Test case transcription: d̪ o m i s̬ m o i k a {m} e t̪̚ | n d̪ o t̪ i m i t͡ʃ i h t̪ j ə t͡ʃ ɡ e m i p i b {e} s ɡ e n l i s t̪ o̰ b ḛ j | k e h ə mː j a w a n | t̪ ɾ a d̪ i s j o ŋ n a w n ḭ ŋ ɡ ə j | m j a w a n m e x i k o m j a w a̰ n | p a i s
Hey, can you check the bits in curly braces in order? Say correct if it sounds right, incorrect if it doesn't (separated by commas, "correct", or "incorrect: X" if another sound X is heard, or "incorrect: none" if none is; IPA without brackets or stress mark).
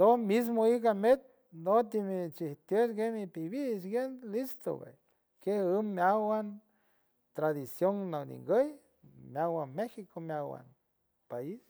correct, incorrect: i